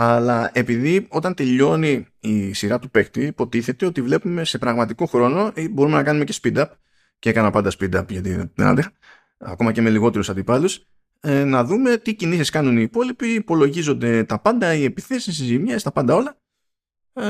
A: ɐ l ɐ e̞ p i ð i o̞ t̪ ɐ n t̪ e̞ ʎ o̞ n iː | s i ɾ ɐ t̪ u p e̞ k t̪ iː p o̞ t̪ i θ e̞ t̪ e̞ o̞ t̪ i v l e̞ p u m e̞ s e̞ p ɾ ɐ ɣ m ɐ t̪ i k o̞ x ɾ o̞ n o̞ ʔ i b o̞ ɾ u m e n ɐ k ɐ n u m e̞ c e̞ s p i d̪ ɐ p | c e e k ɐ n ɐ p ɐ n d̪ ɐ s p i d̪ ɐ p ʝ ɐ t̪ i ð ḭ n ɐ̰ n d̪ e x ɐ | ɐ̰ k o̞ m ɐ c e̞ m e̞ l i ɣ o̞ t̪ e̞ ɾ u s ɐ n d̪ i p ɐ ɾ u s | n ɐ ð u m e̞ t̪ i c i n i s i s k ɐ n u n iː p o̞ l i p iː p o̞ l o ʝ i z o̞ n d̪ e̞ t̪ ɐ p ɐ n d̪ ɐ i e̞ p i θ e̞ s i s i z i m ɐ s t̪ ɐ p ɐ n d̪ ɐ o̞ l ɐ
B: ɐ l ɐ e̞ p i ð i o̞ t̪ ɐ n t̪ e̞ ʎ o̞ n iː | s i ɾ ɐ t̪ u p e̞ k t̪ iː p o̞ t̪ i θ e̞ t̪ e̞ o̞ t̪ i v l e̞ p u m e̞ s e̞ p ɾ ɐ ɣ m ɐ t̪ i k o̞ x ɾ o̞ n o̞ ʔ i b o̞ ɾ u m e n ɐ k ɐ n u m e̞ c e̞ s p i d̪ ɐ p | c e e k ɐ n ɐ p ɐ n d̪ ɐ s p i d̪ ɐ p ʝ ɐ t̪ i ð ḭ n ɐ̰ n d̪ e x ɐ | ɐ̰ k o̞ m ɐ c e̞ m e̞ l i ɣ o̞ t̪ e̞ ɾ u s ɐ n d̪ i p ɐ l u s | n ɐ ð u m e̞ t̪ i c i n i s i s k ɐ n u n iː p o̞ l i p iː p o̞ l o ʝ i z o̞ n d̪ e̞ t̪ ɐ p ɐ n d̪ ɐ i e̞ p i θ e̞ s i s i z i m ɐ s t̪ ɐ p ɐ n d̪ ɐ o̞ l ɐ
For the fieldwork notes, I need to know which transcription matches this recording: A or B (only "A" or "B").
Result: B